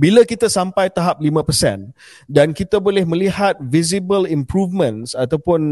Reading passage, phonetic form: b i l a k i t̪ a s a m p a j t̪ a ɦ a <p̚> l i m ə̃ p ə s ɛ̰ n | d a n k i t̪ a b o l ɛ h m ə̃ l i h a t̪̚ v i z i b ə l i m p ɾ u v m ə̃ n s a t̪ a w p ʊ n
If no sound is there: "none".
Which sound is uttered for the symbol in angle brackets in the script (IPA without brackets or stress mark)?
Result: p̚